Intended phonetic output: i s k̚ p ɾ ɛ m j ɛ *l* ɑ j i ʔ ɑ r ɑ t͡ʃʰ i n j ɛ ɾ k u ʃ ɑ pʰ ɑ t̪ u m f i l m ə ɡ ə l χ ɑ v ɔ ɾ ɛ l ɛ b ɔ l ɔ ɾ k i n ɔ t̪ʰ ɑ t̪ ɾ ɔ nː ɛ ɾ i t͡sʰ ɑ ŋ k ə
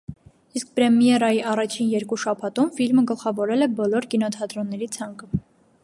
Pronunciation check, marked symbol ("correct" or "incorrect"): incorrect